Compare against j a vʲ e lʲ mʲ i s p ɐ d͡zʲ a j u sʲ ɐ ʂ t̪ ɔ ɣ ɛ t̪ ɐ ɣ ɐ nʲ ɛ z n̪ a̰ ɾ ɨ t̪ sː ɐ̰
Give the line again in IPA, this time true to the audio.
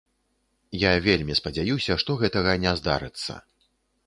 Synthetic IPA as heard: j a vʲ e lʲ mʲ i s p ɐ d͡zʲ a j u sʲ ɐ ʂ t̪ ɔ ɣ ɛ t̪ ɐ ɣ ɐ nʲ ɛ z d̪ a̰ ɾ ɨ t̪ sː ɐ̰